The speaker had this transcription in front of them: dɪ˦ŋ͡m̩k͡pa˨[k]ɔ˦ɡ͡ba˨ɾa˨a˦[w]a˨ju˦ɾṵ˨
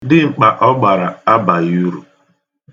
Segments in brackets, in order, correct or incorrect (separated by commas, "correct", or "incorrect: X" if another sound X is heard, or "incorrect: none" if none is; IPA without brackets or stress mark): incorrect: ʔ, incorrect: b